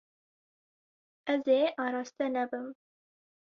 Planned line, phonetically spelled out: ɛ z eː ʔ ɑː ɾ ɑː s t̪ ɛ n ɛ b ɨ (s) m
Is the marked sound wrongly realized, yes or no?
yes